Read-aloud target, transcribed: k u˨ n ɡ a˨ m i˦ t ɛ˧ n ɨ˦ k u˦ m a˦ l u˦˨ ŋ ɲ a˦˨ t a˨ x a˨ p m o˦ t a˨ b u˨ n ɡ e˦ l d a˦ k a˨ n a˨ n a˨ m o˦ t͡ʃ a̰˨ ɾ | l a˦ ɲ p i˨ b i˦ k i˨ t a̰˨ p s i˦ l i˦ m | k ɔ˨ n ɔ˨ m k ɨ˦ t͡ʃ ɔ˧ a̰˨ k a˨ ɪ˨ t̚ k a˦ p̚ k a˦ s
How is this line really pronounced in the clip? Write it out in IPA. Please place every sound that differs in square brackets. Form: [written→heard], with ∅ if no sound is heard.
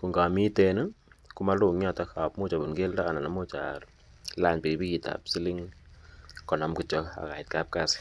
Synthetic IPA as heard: k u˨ [n→ŋ] ɡ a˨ m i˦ t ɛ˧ n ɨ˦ k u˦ m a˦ l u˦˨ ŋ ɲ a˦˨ t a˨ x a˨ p m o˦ [t→t͡ʃ] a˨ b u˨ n ɡ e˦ l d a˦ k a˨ n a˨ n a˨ m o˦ t͡ʃ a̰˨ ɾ | l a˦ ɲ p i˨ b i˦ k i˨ t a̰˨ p s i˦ l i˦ [m→ŋ] | k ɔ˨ n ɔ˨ m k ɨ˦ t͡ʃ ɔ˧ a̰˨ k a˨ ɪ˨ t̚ k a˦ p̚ k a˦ s